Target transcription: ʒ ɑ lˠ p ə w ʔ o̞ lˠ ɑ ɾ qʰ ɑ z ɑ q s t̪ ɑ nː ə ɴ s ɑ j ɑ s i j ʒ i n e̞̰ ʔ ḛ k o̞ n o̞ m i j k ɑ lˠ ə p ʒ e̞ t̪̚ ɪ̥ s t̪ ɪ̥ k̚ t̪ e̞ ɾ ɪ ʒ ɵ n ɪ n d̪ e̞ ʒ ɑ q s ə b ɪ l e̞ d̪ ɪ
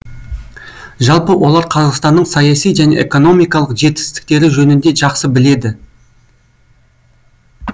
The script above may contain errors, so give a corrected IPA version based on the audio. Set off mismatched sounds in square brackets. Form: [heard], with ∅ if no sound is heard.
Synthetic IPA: ʒ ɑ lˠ p ə w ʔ o̞ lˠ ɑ ɾ qʰ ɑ z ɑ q s t̪ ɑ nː ə ɴ s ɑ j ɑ s i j ʒ [æ] n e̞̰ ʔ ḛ k o̞ n o̞ m i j k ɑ lˠ ə [q] ʒ e̞ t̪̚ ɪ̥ s t̪ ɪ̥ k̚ t̪ e̞ ɾ ɪ ʒ ɵ n ɪ n d̪ e̞ ʒ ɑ q s ə b ɪ l e̞ d̪ ɪ